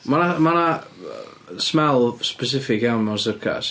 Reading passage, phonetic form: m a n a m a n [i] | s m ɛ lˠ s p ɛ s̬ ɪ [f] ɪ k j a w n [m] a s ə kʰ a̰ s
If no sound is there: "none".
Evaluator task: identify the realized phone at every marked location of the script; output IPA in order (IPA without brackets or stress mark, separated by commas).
a, f, m